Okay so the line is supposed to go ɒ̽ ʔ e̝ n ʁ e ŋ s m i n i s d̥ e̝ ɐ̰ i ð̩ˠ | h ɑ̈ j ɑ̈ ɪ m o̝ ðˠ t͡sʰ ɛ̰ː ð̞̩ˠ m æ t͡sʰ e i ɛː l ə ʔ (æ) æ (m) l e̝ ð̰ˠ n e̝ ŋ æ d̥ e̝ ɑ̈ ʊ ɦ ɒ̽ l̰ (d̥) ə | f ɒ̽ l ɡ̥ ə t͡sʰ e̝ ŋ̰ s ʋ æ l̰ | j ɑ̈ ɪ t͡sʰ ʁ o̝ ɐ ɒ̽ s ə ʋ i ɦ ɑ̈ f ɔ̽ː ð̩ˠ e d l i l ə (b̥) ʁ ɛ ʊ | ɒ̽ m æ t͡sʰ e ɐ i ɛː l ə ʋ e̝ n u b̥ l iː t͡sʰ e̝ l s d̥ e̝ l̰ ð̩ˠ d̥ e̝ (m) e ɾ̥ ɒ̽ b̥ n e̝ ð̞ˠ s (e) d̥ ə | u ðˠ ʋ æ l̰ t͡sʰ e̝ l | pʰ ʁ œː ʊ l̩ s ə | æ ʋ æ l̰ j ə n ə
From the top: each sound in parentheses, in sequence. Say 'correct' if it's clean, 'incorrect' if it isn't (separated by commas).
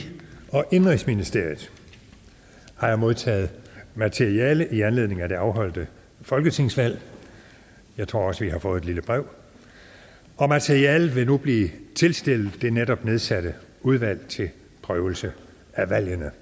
incorrect, incorrect, correct, correct, incorrect, incorrect